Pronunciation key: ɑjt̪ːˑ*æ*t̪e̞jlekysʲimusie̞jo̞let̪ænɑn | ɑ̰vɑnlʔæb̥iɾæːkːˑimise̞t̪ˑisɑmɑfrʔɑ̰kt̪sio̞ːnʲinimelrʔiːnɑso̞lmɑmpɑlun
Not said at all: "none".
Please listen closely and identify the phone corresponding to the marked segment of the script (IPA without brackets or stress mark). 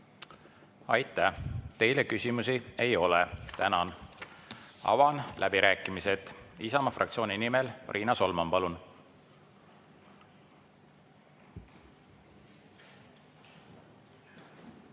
æ